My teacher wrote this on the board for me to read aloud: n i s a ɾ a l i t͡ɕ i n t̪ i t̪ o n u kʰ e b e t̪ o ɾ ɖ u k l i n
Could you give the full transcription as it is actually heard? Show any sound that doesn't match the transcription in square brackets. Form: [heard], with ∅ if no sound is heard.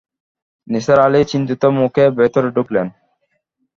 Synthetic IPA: n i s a ɾ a l i t͡ɕ i n t̪ i t̪ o [m] u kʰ e b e t̪ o ɾ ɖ u k l [e] n